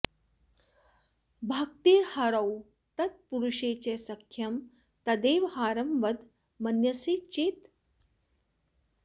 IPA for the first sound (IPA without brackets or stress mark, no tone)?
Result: bʱ